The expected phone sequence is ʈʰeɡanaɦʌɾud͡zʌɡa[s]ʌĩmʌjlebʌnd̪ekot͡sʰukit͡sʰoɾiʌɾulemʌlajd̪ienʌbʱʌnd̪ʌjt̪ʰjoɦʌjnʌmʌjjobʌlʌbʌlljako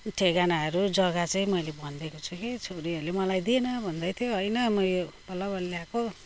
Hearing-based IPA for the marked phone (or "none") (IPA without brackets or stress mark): t͡s